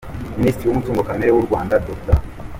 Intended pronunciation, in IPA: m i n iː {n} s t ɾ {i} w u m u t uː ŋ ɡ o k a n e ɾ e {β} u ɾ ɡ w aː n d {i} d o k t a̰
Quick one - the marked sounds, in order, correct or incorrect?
incorrect, correct, incorrect, incorrect

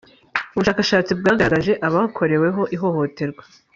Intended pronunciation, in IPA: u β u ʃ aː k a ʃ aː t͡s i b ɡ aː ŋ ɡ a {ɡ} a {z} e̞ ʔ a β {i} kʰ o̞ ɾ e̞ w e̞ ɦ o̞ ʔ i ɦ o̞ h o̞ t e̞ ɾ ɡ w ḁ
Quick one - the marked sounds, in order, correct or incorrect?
correct, incorrect, incorrect

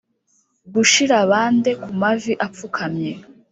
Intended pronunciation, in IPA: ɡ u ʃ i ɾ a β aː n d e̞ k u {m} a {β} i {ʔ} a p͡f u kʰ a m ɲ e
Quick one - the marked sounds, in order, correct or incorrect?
correct, incorrect, correct

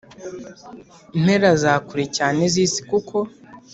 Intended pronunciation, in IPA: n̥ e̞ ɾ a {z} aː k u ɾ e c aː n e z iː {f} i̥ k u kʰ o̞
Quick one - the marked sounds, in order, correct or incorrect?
correct, incorrect

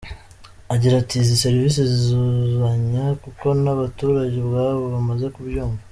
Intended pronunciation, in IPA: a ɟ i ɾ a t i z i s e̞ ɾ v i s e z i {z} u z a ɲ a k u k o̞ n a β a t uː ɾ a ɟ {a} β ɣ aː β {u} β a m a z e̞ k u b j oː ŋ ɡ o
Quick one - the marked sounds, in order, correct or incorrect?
correct, incorrect, incorrect

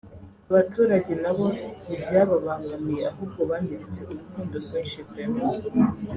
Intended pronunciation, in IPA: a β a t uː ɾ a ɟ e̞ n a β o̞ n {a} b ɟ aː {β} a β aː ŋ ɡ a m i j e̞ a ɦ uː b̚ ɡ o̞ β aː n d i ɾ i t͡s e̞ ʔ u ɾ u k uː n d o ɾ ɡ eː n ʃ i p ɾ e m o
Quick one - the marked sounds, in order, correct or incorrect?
incorrect, correct

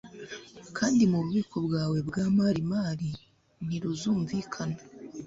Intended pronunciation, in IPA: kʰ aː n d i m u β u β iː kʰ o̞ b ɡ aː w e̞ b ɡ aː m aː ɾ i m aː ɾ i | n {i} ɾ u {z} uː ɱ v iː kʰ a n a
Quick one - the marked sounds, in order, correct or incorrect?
correct, correct

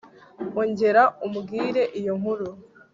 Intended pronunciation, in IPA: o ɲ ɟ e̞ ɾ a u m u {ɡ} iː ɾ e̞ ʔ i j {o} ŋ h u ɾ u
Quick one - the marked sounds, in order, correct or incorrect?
correct, correct

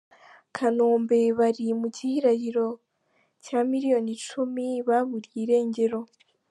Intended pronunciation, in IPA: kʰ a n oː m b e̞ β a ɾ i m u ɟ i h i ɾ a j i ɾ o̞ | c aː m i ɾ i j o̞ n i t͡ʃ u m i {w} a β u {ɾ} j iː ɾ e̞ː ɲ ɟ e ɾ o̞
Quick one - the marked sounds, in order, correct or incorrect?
incorrect, correct

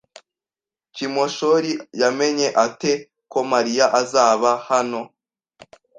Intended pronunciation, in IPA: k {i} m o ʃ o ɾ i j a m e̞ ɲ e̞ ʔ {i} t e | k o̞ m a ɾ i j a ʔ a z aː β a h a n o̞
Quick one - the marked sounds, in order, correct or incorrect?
correct, incorrect

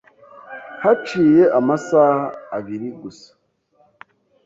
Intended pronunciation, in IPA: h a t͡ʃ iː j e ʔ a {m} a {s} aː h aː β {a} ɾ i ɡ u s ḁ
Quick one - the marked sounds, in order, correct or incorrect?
correct, correct, incorrect

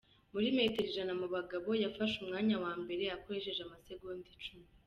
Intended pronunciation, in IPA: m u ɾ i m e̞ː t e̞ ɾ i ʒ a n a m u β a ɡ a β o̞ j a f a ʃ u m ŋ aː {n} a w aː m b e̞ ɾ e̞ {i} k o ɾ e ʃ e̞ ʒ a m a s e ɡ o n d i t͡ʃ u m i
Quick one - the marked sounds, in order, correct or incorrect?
incorrect, incorrect

